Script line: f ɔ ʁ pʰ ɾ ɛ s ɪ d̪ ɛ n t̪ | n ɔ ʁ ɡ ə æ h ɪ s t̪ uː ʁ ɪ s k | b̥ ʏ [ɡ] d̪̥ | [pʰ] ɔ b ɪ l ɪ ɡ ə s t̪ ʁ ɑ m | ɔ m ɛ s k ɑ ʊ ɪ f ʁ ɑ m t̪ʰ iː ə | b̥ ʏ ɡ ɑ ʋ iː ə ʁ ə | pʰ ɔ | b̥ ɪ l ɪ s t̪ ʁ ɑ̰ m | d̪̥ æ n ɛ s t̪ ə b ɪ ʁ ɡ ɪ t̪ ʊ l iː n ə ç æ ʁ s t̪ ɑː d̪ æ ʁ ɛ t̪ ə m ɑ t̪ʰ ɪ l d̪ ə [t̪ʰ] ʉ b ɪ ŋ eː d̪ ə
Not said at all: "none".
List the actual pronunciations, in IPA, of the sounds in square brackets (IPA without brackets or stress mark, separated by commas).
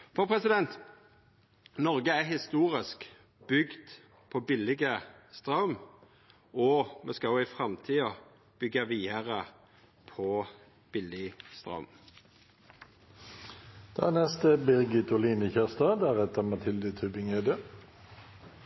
ɡ, pʰ, t̪ʰ